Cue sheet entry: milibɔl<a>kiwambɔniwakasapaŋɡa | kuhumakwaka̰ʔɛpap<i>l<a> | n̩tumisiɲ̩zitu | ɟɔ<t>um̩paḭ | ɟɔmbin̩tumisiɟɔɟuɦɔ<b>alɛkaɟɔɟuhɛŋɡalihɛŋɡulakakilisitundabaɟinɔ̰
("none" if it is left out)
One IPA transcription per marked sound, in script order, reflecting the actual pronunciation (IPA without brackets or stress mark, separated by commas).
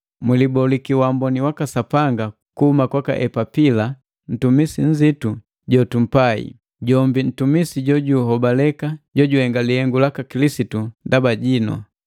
i, i, a, t, b